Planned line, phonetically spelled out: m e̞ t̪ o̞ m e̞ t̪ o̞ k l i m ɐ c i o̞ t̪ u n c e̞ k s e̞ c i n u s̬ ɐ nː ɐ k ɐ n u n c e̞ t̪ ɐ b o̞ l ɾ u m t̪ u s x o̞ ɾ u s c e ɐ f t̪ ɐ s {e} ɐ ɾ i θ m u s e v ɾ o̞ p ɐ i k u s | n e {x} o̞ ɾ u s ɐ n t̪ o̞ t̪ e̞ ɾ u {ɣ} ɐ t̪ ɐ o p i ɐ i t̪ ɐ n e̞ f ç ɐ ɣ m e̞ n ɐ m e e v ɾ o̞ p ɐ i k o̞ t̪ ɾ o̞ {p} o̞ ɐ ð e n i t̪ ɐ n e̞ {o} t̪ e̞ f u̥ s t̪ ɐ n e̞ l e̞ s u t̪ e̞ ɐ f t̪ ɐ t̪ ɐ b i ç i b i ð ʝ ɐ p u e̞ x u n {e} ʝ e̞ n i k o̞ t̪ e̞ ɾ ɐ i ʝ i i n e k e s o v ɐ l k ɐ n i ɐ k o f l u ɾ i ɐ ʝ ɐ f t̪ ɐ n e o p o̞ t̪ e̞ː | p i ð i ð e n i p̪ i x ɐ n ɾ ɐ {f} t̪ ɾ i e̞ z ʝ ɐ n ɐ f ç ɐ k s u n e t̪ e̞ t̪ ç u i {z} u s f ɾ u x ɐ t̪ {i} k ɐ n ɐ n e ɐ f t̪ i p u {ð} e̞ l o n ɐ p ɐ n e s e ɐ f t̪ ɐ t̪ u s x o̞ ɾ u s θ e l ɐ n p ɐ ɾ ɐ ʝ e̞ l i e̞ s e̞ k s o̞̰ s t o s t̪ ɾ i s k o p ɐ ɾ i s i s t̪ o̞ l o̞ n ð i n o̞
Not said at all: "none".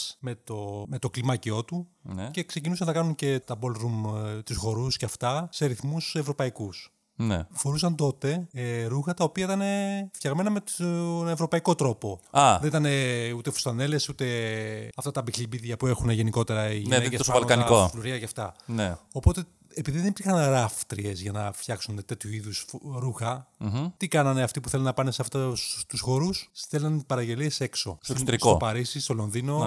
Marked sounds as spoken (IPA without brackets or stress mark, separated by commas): e, f, x, p, u, e, f, ð, i, θ